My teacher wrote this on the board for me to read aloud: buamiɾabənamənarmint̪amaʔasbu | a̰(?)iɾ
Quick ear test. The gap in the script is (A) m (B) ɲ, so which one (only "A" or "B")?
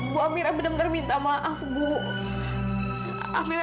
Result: A